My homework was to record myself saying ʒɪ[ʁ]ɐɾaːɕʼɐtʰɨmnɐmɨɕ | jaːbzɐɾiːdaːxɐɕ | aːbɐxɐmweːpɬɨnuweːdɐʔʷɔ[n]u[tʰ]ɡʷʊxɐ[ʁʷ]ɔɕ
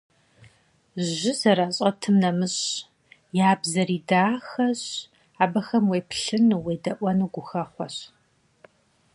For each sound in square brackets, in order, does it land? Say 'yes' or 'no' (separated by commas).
no, yes, no, no